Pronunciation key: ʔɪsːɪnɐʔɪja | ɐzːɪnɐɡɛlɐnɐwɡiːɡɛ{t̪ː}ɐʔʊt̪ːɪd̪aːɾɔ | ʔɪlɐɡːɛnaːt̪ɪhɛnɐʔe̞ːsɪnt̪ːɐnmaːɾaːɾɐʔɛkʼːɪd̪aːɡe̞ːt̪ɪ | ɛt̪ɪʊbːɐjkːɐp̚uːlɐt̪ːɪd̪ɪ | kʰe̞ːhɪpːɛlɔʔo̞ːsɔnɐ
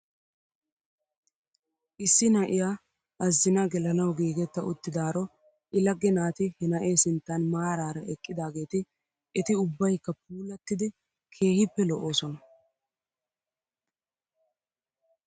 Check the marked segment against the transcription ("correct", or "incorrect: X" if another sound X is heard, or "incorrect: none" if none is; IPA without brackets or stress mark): correct